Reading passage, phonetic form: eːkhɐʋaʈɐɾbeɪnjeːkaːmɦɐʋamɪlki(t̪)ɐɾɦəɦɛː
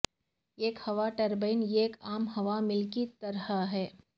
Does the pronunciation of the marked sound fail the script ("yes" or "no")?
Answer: no